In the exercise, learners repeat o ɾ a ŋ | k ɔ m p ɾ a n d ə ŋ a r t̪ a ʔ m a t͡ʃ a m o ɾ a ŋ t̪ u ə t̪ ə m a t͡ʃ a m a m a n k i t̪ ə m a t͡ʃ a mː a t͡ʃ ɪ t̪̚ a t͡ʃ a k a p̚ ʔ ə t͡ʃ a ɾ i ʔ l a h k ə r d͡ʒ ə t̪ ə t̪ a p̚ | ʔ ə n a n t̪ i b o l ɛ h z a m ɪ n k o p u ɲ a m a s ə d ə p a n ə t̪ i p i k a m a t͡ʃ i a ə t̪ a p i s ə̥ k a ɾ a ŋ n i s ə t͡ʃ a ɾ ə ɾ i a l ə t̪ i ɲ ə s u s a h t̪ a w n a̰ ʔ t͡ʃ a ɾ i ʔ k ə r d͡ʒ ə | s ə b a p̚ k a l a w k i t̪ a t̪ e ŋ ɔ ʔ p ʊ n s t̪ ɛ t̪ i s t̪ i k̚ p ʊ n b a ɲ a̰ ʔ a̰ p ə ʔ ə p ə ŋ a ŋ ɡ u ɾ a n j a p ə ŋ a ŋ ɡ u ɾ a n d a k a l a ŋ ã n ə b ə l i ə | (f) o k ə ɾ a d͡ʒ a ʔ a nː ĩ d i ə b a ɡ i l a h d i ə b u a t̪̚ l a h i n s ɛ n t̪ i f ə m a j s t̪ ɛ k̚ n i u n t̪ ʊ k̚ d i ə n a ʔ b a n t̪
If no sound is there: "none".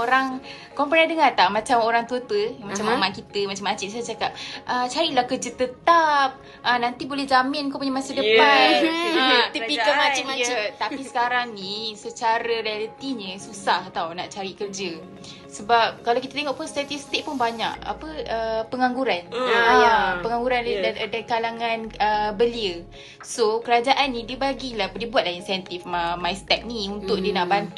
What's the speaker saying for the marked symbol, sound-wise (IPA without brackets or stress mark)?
s